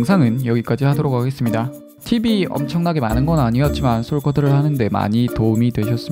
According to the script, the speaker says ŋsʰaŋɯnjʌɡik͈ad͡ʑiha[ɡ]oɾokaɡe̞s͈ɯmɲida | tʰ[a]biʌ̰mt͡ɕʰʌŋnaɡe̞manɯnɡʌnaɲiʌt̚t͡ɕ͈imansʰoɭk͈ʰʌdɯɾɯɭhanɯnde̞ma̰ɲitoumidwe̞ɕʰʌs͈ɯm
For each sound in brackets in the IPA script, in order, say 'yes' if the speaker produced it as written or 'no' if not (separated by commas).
no, no